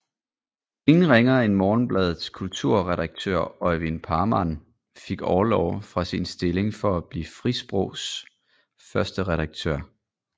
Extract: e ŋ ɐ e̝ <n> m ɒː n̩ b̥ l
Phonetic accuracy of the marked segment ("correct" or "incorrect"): correct